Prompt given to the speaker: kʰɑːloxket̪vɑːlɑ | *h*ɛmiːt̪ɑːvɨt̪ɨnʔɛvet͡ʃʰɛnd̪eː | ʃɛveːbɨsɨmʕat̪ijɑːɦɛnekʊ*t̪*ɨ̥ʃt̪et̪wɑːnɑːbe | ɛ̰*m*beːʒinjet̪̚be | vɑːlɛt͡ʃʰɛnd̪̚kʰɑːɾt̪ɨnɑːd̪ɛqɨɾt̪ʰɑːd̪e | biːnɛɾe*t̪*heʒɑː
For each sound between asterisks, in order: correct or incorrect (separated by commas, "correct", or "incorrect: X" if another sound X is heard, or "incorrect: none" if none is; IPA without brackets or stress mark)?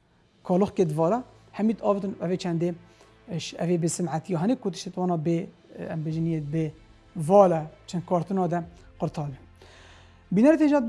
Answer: correct, correct, correct, correct